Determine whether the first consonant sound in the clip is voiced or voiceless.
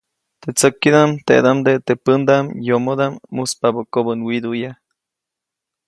voiceless